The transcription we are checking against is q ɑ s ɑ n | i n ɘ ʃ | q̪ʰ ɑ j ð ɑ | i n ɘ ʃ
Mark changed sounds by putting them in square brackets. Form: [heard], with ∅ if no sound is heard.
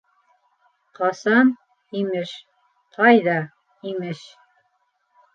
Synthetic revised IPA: q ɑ s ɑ n | i [m] ɘ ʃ | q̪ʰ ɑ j ð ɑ | i [m] ɘ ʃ